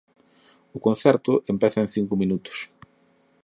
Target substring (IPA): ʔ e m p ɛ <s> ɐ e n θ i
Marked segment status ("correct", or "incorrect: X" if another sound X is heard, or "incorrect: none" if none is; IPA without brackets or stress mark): incorrect: θ